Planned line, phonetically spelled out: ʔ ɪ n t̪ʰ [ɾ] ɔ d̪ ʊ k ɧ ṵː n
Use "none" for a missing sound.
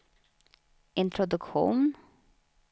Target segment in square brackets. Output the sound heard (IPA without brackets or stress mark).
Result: ɾ